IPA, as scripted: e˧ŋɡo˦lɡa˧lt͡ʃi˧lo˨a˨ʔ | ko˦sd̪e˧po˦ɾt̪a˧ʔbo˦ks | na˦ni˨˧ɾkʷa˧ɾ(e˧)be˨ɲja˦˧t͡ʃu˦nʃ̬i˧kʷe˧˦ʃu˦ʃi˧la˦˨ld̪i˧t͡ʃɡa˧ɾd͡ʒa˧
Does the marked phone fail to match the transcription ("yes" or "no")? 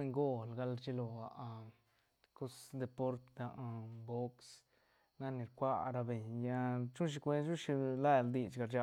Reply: yes